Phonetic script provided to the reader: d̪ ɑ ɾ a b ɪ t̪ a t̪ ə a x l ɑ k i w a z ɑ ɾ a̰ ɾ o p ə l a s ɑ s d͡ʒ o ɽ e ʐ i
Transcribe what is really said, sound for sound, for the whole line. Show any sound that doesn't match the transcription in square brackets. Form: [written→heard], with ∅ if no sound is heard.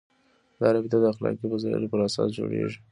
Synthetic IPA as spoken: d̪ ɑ ɾ a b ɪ t̪ a [t̪→d̪] ə a x l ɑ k i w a z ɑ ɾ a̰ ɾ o p ə [l→ɾ] a s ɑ s d͡ʒ o ɽ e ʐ i